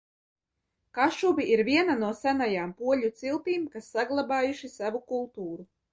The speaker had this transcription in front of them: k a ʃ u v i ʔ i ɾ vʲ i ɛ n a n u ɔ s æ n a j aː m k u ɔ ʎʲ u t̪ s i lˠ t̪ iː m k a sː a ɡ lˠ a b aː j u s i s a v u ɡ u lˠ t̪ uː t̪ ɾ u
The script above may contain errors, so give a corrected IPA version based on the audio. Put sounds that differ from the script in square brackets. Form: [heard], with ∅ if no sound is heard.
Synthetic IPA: k a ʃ u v i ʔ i ɾ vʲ i ɛ n a n u ɔ s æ n a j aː m [p] u ɔ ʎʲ u t̪ s i lˠ t̪ iː m k a sː a ɡ lˠ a b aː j u [ʃ] i s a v u [k] u lˠ t̪ uː [∅] ɾ u